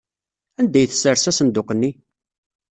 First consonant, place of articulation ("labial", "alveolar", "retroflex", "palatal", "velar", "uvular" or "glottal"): alveolar